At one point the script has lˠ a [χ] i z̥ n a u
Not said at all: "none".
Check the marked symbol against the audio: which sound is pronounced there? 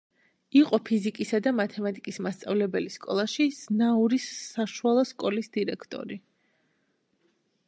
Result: ʃ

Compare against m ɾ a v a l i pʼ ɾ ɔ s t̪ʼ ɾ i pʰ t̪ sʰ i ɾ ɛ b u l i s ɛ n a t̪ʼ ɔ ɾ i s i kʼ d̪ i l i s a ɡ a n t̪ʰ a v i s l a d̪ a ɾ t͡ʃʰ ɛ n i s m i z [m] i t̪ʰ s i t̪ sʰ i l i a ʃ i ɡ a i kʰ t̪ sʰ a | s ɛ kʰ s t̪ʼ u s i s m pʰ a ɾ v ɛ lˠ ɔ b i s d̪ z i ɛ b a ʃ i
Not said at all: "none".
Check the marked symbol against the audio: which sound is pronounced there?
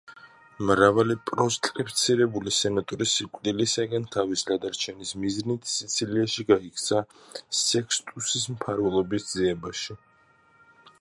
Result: n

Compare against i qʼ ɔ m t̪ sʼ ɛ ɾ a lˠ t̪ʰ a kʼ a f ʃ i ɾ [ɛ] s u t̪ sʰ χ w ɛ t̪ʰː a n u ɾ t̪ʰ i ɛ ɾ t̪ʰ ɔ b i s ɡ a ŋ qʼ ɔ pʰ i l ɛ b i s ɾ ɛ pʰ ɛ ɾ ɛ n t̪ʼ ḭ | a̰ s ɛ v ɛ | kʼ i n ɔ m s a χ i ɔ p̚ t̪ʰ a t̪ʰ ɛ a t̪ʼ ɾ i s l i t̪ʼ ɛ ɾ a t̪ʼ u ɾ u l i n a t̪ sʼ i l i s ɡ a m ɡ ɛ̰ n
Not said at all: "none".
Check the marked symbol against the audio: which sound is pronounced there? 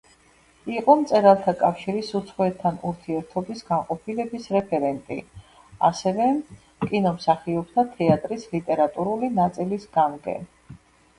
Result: i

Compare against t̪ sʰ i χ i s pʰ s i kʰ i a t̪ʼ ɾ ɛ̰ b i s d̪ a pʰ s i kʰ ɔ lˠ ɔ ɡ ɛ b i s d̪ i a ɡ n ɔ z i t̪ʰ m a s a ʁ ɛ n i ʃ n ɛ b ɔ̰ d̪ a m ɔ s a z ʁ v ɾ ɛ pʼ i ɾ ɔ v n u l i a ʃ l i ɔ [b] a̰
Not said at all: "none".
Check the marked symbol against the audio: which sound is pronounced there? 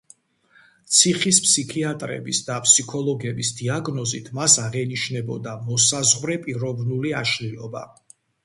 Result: b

